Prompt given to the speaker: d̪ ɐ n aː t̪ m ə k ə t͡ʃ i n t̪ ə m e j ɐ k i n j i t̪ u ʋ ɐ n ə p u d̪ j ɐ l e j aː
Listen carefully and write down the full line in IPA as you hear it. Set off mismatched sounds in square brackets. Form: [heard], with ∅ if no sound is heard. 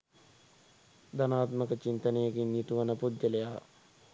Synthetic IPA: d̪ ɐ n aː t̪ m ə k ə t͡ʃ i n t̪ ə [n] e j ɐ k i n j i t̪ u ʋ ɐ n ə p u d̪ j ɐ l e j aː